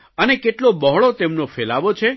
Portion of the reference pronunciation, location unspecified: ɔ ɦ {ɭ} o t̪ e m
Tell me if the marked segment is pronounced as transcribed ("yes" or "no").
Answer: yes